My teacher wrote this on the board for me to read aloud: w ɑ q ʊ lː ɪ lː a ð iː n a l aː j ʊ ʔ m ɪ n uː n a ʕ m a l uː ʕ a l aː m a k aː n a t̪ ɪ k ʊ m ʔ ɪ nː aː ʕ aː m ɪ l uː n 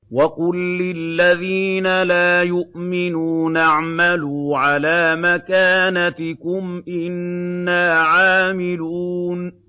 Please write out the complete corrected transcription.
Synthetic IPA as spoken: w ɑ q ʊ lː ɪ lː a ð iː n a l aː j ʊ ʔ m ɪ n uː n a ʕ m a l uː ʕ a l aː m a k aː n a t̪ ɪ k ʊ m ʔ ɪ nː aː ʕ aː m ɪ l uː n